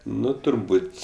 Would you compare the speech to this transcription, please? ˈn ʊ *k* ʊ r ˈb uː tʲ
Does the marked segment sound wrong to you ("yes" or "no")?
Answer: yes